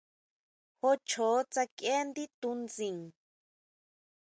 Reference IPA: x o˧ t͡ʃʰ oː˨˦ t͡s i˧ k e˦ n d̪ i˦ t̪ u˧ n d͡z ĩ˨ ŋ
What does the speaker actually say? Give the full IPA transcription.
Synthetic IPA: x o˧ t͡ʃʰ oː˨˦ t͡s a˧ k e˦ n d̪ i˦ t̪ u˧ n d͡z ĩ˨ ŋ